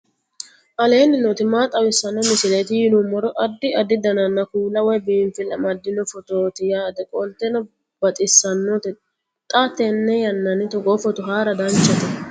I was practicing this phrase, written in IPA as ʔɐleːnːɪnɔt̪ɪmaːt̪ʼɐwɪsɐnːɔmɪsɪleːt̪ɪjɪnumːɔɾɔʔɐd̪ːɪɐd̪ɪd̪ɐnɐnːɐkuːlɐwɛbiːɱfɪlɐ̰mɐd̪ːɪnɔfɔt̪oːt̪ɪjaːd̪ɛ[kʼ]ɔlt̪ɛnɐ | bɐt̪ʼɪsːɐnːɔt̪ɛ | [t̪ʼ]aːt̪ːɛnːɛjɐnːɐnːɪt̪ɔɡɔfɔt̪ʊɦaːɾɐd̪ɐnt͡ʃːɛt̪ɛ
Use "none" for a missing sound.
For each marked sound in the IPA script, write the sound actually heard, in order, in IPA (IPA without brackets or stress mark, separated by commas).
kʼ, t̪ʼ